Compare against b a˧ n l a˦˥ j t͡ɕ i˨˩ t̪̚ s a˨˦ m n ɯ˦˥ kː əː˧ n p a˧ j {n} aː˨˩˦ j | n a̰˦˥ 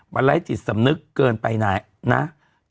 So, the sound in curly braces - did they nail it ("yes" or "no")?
yes